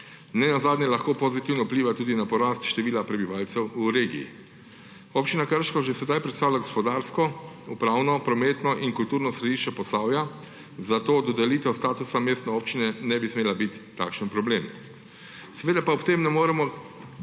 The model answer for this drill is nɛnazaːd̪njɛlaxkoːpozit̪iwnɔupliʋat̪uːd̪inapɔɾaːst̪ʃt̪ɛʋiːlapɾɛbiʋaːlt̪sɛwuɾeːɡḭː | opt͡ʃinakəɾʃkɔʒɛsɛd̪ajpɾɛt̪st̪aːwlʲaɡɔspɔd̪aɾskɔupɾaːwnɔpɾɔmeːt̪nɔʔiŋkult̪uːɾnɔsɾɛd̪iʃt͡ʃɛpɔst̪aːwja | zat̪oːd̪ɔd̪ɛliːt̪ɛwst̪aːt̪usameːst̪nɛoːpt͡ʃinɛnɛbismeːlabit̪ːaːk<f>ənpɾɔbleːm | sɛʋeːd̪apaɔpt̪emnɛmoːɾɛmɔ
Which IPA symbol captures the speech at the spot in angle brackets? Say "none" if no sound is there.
ʃ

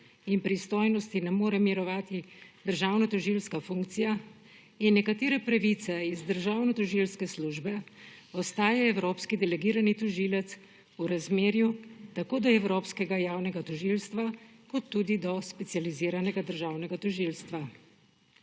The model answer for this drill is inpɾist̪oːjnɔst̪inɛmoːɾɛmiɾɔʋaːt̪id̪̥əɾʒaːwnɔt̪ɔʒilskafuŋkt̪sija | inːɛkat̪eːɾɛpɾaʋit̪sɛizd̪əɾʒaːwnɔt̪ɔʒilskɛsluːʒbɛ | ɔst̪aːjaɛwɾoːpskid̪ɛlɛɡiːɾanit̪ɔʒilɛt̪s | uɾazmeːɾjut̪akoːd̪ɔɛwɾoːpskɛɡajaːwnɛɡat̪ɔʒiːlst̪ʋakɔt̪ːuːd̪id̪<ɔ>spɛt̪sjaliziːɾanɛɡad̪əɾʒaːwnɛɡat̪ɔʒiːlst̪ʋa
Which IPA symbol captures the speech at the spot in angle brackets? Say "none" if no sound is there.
ɔ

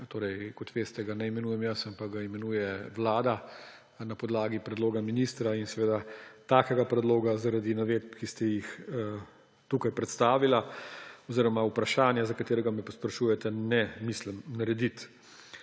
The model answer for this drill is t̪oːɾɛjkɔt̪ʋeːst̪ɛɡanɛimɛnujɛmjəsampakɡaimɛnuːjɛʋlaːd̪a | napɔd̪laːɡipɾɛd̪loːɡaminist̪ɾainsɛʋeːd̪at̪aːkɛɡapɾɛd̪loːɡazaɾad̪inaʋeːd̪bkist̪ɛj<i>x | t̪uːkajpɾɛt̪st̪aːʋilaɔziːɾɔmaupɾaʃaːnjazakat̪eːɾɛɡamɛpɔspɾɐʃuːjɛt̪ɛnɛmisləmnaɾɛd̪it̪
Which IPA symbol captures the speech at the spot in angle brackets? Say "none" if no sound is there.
i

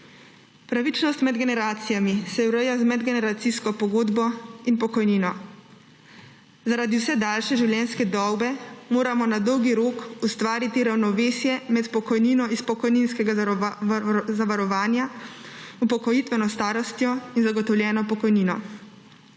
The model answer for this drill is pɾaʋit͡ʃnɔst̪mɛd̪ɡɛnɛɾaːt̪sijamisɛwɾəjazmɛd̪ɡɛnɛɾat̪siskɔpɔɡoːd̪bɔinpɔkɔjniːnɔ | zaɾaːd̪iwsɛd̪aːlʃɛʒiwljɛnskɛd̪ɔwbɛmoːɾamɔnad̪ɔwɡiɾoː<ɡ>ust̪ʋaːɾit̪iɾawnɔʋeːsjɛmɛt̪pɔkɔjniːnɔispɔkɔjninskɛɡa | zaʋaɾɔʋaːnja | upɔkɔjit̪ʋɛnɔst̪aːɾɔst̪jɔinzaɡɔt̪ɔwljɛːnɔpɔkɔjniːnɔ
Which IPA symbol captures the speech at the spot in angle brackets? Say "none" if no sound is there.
k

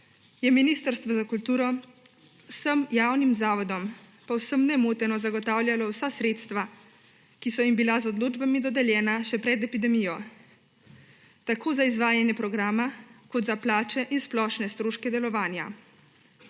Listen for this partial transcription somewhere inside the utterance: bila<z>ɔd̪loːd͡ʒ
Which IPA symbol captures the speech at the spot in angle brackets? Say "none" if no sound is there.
z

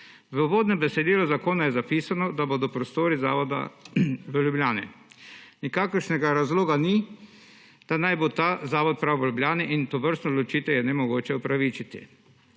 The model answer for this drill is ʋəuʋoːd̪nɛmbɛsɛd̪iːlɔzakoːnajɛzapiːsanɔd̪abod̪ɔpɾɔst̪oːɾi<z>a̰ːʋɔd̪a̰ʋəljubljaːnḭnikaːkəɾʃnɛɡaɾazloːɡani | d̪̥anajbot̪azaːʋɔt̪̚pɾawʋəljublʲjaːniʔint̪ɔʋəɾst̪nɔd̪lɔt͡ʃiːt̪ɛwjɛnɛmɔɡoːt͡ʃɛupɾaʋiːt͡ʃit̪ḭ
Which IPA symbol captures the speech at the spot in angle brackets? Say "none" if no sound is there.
z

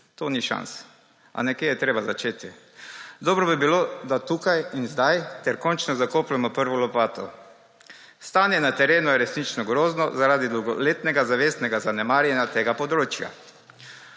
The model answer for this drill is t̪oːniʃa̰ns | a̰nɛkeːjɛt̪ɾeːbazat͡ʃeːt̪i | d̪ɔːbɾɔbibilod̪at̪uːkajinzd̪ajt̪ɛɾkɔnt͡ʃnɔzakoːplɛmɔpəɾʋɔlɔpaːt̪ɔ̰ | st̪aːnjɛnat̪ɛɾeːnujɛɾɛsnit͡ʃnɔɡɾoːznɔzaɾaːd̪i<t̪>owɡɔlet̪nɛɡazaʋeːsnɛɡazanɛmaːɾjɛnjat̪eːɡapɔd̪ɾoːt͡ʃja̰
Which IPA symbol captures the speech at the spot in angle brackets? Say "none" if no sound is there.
d̪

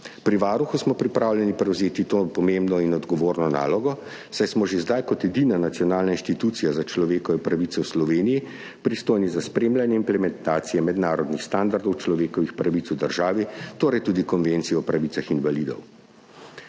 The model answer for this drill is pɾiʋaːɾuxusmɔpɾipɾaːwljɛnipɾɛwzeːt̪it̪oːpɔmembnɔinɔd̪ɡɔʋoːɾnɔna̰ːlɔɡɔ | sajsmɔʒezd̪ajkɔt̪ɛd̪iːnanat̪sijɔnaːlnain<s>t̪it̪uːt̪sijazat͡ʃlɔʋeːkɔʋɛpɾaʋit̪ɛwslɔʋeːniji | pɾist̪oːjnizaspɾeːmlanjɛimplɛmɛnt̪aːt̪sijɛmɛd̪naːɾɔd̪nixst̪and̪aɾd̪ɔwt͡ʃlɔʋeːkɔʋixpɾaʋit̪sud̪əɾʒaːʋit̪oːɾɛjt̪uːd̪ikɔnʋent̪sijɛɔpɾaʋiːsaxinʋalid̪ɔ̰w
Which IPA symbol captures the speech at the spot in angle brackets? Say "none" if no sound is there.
ʃ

